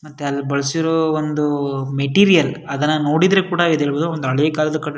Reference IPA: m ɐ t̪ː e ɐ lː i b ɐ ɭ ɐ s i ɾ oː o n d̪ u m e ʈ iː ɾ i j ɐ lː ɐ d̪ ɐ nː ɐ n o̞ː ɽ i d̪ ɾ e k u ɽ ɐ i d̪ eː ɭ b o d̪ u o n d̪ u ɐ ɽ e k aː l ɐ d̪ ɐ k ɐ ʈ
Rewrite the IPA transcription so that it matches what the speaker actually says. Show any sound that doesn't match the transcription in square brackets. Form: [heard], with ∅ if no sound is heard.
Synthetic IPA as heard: m ɐ t̪ː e ɐ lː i b ɐ ɭ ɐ s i ɾ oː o n d̪ u m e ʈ iː ɾ i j ɐ [l] ɐ d̪ ɐ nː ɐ n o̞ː ɽ i d̪ ɾ e k [uː] ɽ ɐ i d̪ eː ɭ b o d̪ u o n d̪ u ɐ [ɭ] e k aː l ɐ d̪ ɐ k ɐ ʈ